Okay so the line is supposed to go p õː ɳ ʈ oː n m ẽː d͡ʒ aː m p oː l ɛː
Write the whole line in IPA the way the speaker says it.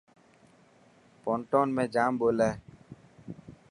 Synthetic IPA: p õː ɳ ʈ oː n m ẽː d͡ʒ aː m b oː l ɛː